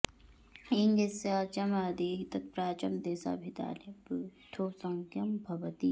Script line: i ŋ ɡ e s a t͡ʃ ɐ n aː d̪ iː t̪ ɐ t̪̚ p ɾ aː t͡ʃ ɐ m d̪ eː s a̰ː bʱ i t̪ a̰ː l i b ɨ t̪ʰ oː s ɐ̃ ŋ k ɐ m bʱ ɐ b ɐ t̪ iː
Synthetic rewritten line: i ŋ ɡ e s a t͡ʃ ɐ m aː d̪ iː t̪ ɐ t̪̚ p ɾ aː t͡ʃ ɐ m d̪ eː s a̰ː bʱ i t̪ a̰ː l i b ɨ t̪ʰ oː s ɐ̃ ŋ k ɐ m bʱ ɐ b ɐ t̪ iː